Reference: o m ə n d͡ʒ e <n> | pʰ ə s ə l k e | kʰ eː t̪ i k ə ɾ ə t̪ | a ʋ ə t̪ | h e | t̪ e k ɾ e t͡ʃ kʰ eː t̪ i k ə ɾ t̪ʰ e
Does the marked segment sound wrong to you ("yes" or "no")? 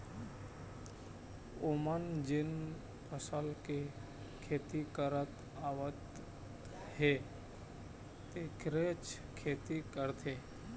no